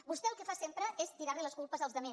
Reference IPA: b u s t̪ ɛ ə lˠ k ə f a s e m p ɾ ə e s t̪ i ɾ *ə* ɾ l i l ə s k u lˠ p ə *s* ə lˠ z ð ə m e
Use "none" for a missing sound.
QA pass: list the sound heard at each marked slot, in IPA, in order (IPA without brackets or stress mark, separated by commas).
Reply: a, z